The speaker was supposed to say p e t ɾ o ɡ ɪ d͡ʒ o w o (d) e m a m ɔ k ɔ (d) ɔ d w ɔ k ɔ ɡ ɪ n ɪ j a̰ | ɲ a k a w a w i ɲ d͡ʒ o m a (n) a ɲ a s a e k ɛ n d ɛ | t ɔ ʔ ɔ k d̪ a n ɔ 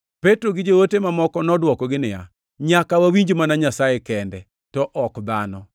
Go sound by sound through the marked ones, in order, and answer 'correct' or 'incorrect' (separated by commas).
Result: incorrect, incorrect, correct